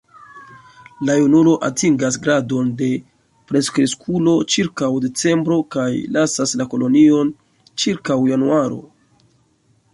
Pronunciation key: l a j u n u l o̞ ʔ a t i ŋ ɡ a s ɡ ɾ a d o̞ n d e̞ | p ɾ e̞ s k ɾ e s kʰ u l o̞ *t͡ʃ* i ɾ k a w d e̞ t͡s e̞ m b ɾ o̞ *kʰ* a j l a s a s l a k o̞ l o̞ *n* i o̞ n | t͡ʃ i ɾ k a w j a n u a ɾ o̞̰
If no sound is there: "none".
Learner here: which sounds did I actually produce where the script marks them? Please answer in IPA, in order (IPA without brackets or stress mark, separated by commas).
t͡ʃ, k, n